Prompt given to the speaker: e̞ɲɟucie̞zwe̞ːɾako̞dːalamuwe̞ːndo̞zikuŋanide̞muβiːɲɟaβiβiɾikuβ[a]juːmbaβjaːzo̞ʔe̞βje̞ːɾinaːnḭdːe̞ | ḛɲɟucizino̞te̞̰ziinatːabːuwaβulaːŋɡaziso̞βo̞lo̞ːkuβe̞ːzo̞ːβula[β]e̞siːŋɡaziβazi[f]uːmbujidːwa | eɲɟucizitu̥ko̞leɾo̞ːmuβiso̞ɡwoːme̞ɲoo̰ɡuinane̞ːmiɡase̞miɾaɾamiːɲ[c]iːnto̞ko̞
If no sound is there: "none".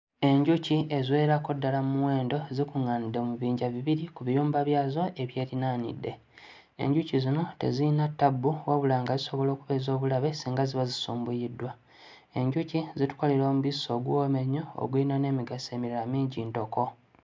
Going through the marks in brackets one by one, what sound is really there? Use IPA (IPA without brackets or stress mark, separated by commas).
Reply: i, β, s, ɟ